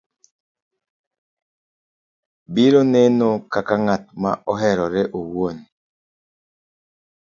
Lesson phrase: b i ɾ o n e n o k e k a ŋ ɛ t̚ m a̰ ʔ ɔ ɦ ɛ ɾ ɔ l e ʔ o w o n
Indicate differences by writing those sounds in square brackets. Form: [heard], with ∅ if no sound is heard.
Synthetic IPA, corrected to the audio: b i ɾ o n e n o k [a] k a ŋ [a] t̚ m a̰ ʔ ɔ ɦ ɛ ɾ ɔ [ɾ] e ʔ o w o n

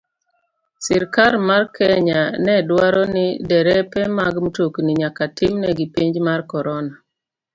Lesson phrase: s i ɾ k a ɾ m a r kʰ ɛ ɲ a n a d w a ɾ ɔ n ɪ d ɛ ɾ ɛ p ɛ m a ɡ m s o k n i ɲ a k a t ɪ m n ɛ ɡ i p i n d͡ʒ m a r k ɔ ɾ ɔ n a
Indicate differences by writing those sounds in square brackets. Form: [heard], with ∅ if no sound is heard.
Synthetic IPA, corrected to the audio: s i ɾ k a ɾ m a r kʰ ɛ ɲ a n [ɛ] d w a ɾ ɔ n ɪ d ɛ ɾ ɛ p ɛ m a ɡ m [t] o k n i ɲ a k a t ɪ m n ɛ ɡ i p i [ɲ] d͡ʒ m a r k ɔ ɾ ɔ n a

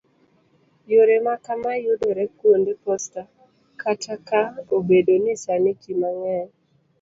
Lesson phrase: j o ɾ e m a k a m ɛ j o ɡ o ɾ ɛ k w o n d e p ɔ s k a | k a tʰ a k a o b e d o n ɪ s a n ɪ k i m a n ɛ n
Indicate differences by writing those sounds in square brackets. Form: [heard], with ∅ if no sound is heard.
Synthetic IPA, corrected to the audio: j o ɾ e m a k a m [a] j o [d] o ɾ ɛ k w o n d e p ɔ s [t] a | k a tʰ a k a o b e d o n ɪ s a n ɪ k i m a [ŋ] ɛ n

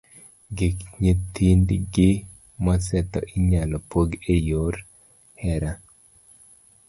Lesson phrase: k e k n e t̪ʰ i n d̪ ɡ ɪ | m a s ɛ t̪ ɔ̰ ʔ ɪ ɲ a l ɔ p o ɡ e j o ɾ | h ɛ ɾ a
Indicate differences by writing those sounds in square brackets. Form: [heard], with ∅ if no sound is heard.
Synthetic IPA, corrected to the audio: [ɡ] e k [ɲ] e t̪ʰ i n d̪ ɡ ɪ | m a s ɛ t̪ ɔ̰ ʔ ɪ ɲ a l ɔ p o ɡ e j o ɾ | h ɛ ɾ a

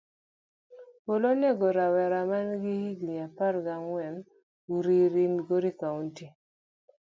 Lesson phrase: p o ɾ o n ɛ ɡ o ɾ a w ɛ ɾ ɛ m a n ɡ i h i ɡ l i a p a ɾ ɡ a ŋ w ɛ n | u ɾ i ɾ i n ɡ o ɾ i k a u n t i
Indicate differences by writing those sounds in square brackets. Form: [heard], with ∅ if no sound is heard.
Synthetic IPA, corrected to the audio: p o [l] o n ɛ ɡ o ɾ a w ɛ ɾ [a] m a n ɡ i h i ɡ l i a p a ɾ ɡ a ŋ w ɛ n | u ɾ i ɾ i n ɡ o ɾ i k a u n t i

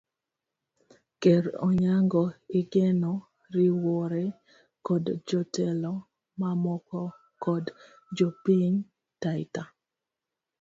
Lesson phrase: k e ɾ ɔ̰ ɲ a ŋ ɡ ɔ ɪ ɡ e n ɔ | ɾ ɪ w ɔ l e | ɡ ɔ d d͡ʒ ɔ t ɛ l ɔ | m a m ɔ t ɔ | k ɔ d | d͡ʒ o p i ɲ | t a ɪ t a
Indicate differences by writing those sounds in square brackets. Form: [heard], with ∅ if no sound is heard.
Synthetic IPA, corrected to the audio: k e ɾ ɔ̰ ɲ a ŋ ɡ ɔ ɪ ɡ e n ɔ | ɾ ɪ w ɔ [ɾ] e | [k] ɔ d d͡ʒ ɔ t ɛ l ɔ | m a m ɔ [k] ɔ | k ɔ d | d͡ʒ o p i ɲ | t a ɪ t a

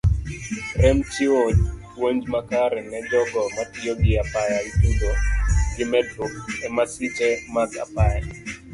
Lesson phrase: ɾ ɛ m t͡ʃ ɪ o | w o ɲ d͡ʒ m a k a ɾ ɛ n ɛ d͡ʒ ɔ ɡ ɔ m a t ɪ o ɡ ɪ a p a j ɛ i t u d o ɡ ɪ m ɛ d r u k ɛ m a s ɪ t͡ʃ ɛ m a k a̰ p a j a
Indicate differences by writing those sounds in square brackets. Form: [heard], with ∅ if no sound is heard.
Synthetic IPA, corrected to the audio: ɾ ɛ m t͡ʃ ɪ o | w o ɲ d͡ʒ m a k a ɾ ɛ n ɛ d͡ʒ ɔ ɡ ɔ m a t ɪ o ɡ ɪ a p a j [a] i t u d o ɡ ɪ m ɛ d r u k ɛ m a s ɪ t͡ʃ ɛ m a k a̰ p a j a

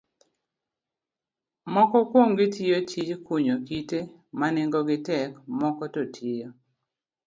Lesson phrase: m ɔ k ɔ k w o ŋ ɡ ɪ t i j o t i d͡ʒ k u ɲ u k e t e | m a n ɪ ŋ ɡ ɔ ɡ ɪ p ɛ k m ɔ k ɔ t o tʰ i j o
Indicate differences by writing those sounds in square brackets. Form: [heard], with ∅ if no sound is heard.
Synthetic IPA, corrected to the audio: m ɔ k ɔ k w o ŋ ɡ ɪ t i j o [t͡ʃ] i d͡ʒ k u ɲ [o] k [i] t e | m a n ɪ ŋ ɡ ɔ ɡ ɪ [t] ɛ k m ɔ k ɔ t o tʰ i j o

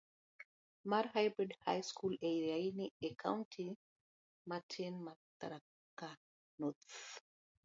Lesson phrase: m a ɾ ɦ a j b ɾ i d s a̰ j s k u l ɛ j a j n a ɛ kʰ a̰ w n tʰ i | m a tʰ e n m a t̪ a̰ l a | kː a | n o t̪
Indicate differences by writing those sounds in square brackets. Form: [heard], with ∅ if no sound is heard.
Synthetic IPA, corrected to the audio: m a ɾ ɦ a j b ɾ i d [h] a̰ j s k u l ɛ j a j n [i] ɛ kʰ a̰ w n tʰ i | m a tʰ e n m a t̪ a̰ [ɾ] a | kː a | n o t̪

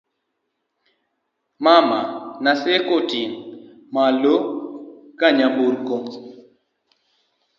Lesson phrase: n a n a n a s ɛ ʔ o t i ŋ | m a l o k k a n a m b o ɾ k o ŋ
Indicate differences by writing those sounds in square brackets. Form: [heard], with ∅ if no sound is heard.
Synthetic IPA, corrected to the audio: [m] a [m] a n a s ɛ [k] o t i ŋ | m a l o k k a [ɲ] a m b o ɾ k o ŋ

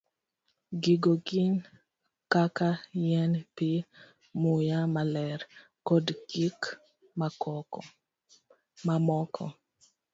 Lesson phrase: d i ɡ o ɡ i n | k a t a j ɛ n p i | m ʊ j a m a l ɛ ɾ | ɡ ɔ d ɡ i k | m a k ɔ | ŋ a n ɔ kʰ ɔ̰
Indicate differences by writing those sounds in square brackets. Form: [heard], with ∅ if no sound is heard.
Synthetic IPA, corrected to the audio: [ɡ] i ɡ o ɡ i n | k a [k] a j ɛ n p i | m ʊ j a m a l ɛ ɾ | [k] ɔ d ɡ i k | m a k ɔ | [m] a [m] ɔ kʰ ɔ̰

